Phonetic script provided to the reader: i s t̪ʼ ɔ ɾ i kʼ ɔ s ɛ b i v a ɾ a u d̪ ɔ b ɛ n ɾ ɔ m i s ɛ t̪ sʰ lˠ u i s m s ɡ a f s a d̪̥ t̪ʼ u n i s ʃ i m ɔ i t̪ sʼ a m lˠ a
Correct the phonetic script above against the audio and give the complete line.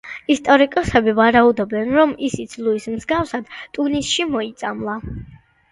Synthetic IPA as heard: i s t̪ʼ ɔ ɾ i kʼ ɔ s ɛ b i v a ɾ a u d̪ ɔ b ɛ n ɾ ɔ m i s i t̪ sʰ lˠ u i s m z ɡ a f s a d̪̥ t̪ʼ u n i s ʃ i m ɔ i t̪ sʼ a m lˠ a